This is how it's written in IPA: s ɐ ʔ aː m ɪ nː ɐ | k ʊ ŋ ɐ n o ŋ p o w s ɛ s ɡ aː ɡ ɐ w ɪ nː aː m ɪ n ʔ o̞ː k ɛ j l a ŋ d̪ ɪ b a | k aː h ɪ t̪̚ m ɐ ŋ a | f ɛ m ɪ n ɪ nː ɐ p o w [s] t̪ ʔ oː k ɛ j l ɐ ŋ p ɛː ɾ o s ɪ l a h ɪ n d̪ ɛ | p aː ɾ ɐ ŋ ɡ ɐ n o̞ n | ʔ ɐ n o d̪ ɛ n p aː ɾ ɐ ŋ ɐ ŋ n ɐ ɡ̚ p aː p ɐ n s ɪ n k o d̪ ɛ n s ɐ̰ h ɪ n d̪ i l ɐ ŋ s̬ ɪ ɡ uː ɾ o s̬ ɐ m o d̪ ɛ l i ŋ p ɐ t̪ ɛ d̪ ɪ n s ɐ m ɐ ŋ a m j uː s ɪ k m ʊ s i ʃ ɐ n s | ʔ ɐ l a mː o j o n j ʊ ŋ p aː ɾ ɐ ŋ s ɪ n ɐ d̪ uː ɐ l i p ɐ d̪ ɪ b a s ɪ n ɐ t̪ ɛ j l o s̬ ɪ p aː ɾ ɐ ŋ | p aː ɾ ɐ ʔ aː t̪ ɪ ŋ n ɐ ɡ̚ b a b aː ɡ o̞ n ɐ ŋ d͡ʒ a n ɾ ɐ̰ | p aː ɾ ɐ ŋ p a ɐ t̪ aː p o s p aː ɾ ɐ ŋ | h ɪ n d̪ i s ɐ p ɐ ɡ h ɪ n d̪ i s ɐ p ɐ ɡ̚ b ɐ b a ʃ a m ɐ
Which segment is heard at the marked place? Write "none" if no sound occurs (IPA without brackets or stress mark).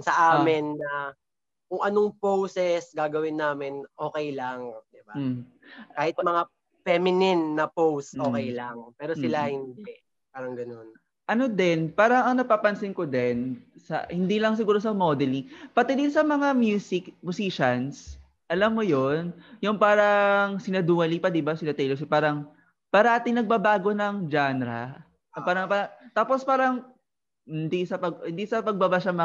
s